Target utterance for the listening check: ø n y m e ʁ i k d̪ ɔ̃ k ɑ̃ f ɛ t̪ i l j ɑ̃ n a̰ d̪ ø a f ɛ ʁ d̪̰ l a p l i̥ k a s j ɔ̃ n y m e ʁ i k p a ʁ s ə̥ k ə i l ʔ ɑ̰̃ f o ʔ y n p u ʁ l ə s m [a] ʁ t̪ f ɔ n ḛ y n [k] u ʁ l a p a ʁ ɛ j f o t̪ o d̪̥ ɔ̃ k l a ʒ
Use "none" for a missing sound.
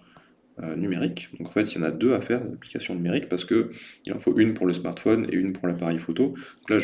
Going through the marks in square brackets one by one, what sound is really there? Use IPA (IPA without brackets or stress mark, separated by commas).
a, p